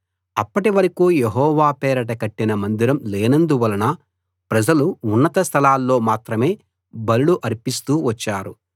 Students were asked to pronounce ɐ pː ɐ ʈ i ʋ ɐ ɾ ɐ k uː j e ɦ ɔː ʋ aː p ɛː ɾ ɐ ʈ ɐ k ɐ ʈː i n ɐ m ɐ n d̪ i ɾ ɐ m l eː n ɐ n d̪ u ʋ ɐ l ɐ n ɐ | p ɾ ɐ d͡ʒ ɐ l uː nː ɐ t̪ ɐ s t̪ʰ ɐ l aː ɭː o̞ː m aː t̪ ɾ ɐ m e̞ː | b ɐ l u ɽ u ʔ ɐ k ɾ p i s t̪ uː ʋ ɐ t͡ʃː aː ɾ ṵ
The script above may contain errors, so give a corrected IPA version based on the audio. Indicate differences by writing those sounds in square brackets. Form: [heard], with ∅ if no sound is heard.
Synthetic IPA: ɐ pː ɐ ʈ i ʋ ɐ ɾ ɐ k uː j e ɦ ɔː ʋ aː p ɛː ɾ ɐ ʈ ɐ k ɐ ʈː i n ɐ m ɐ n d̪ i ɾ ɐ m l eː n ɐ n d̪ u ʋ ɐ l ɐ n ɐ | p ɾ ɐ d͡ʒ ɐ l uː nː ɐ t̪ ɐ s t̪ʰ ɐ l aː [lː] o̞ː m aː t̪ ɾ ɐ m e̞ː | b ɐ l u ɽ u ʔ ɐ [∅] ɾ p i s t̪ uː ʋ ɐ t͡ʃː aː ɾ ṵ